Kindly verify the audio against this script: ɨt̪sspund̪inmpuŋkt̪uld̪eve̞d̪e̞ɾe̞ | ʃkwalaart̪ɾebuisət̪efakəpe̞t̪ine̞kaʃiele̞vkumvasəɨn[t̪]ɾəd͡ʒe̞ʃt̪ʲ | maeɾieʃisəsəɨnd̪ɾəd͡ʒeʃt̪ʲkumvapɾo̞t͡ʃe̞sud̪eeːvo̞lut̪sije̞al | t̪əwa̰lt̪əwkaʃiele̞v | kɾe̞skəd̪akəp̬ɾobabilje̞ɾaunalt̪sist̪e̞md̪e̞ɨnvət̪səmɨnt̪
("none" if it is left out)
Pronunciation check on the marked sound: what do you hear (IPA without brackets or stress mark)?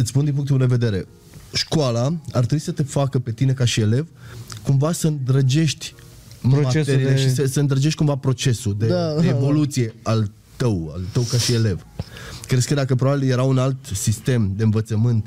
d̪